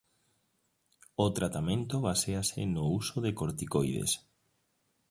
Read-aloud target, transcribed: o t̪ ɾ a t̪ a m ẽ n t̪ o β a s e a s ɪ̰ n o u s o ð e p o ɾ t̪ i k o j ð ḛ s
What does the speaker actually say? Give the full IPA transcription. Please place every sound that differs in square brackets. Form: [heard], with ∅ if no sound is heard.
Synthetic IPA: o t̪ ɾ a t̪ a m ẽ n t̪ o β a s e a s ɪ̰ n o u s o ð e [k] o ɾ t̪ i k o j ð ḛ s